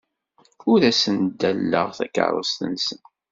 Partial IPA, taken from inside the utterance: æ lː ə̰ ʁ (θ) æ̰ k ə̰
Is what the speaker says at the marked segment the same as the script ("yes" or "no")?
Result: yes